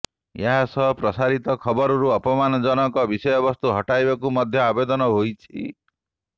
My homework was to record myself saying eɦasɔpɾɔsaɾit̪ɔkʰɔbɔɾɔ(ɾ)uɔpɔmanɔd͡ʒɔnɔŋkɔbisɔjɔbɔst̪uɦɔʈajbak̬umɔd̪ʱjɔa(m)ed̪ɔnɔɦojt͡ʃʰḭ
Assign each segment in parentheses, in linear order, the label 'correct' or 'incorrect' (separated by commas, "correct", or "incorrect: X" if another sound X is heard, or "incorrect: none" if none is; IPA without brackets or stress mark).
correct, incorrect: b